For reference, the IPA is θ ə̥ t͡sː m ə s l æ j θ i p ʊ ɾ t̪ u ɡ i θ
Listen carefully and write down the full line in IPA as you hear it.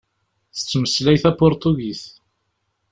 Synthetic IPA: θ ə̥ t͡sː m ə s l æ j θ æ p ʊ ɾ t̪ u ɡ i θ